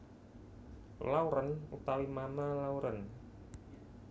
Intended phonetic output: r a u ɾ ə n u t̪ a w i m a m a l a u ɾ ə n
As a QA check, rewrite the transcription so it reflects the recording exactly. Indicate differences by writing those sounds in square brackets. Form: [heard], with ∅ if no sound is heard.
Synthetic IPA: [l] a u ɾ ə n u t̪ a w i m a m a l a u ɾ ə n

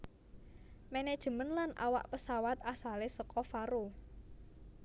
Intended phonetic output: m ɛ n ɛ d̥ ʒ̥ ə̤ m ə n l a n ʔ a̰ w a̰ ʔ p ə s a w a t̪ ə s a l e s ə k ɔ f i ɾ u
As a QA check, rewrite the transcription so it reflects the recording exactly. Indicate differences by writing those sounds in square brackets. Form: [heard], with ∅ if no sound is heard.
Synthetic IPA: m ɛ n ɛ d̥ ʒ̥ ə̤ m ə n l a n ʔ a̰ w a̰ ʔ p ə s a w a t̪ [a] s a l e s ə k ɔ f [a] ɾ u

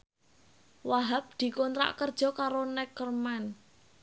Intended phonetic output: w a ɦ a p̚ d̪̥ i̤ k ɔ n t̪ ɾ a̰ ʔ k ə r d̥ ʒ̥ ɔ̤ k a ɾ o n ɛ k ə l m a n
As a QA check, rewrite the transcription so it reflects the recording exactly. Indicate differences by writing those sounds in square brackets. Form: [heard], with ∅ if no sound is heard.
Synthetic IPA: w a ɦ a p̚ d̪̥ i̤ k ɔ n t̪ ɾ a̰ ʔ k ə r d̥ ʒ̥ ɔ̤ k a ɾ o n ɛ k ə [r] m a n

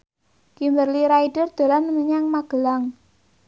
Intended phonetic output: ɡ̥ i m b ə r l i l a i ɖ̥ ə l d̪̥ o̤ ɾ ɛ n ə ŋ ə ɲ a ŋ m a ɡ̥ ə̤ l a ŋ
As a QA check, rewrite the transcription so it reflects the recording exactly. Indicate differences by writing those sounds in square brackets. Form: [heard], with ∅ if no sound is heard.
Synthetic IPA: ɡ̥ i m b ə r l i [ɾ] a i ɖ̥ ə [r] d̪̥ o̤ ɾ [a] n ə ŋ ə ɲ a ŋ m a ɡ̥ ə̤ l a ŋ

